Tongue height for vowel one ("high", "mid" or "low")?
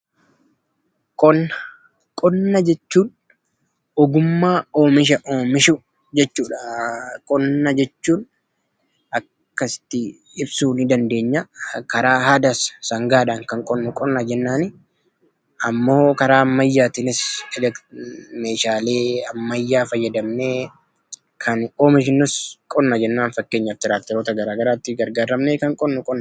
mid